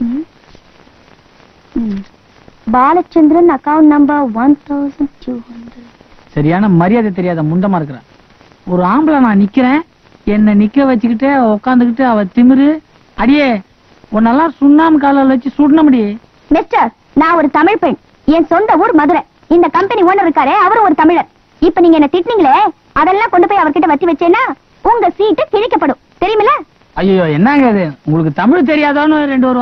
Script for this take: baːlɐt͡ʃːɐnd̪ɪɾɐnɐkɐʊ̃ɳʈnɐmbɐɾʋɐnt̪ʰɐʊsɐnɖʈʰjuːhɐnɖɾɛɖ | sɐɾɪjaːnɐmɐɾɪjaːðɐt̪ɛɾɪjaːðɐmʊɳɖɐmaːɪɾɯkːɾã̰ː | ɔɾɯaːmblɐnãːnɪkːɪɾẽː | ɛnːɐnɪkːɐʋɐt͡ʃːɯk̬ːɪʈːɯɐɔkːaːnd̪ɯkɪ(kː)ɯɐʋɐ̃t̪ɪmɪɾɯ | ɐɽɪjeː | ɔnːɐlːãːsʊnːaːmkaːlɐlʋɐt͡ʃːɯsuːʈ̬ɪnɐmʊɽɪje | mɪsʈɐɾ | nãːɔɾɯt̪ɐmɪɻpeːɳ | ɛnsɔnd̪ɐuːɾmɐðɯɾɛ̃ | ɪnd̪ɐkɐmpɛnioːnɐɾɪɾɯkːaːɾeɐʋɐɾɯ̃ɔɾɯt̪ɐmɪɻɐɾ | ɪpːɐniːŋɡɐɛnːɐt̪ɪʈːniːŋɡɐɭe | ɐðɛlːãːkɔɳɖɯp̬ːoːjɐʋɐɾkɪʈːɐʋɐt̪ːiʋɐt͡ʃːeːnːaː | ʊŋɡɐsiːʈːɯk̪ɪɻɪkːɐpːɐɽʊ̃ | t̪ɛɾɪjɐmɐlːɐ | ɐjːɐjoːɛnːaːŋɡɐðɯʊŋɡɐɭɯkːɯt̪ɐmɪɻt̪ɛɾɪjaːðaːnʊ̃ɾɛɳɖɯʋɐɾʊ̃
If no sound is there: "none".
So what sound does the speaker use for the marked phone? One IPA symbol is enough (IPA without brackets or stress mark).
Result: ʈː